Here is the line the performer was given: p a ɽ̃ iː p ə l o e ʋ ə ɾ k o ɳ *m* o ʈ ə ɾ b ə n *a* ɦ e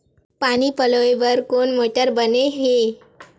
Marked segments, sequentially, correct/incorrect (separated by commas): correct, incorrect